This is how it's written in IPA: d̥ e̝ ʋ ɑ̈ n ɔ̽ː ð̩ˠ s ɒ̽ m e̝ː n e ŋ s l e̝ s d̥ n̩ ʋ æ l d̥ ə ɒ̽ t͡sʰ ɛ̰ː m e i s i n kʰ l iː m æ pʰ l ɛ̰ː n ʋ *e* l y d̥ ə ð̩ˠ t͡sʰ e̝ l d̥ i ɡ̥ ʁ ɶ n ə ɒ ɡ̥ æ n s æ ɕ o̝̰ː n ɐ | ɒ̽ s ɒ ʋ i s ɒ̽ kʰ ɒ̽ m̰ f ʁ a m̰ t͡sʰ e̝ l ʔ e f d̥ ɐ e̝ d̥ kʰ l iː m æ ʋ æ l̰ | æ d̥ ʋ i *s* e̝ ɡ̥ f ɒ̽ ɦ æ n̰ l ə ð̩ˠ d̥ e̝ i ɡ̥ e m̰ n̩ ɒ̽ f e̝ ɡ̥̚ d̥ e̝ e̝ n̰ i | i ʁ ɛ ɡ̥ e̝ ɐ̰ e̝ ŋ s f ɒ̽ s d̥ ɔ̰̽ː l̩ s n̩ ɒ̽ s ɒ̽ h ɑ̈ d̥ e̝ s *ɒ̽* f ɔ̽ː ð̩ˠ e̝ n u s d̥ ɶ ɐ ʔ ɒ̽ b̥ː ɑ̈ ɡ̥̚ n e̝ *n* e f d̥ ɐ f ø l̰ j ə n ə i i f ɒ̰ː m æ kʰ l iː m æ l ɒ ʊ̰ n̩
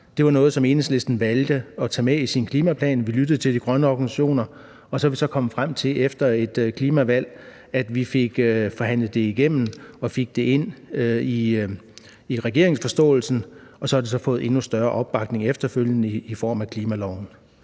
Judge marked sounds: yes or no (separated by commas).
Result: no, no, yes, no